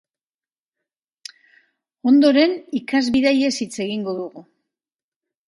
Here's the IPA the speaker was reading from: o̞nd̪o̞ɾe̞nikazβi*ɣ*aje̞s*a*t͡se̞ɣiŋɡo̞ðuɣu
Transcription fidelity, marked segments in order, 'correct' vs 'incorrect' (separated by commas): incorrect, incorrect